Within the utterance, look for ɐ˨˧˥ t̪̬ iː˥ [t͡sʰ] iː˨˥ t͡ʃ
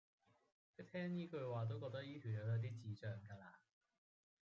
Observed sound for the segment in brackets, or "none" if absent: t͡s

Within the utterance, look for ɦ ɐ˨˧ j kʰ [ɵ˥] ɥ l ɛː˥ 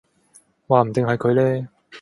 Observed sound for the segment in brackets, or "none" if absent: ɵ˨˧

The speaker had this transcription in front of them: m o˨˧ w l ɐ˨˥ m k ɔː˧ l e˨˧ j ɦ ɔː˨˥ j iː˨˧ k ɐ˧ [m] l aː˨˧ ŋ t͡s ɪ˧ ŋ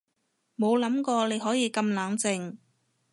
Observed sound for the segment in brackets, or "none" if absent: m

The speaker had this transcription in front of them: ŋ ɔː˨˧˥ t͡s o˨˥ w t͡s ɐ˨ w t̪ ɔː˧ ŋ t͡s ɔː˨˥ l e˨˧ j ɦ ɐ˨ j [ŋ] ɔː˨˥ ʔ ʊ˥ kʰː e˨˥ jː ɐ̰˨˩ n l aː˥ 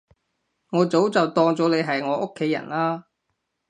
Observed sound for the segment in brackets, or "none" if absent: ŋ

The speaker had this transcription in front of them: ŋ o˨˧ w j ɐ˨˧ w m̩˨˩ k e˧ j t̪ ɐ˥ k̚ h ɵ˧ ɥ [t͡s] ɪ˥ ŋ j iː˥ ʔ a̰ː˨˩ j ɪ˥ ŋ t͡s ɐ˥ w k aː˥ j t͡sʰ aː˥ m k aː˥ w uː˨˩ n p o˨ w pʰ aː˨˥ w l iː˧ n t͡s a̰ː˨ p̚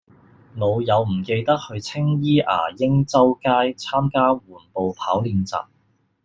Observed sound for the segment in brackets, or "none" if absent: t͡sʰ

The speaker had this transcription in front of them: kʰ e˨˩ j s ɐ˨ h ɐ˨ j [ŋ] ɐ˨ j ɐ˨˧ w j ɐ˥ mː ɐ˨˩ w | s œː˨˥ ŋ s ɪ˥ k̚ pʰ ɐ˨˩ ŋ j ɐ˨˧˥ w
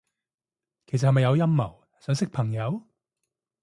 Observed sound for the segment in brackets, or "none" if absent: m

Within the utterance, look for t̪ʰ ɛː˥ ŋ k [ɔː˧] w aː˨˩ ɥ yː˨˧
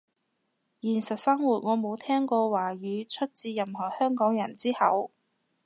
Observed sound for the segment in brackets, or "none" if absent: ɔː˧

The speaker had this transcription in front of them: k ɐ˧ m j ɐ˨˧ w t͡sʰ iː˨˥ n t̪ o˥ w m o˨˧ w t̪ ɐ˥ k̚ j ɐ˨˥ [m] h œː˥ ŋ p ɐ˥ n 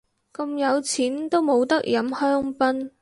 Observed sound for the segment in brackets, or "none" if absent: m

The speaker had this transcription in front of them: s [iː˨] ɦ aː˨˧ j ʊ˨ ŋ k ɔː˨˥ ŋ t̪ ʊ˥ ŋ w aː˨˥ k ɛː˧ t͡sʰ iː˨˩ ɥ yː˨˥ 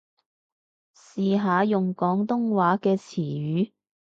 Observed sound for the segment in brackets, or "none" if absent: iː˨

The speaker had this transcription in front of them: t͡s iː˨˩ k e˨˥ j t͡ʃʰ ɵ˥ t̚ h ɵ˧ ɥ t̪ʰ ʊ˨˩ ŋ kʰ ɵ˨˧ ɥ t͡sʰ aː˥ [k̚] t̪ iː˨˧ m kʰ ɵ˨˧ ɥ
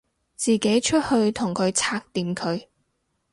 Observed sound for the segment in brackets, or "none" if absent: k̚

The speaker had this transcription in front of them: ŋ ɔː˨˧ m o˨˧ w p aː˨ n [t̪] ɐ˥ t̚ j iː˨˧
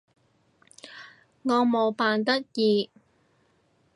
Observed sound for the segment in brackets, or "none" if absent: t̪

